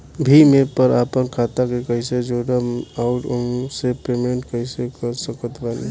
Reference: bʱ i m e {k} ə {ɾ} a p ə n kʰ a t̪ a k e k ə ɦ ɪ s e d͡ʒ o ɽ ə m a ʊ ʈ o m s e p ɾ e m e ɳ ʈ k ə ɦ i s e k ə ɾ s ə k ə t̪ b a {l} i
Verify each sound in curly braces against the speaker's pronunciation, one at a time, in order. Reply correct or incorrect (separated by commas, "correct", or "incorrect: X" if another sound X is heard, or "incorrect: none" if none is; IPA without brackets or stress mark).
incorrect: p, correct, correct